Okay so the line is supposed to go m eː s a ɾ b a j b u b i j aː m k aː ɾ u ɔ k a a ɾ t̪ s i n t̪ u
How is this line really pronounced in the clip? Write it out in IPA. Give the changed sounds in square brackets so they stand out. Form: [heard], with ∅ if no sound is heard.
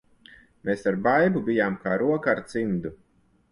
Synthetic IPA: m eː s a ɾ b a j b u b i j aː m k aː ɾ u ɔ k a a ɾ t̪ s i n [d̪] u